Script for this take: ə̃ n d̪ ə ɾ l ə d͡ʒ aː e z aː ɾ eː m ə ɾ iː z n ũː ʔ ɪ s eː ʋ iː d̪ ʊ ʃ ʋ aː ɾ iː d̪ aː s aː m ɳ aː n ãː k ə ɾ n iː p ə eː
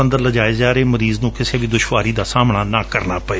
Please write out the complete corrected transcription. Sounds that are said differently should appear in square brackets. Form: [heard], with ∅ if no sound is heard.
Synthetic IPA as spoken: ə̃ n d̪ ə ɾ l ə d͡ʒ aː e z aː ɾ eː m ə ɾ iː z n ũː [k] ɪ s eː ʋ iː d̪ ʊ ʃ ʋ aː ɾ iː d̪ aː s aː m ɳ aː n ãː k ə ɾ n [aː] p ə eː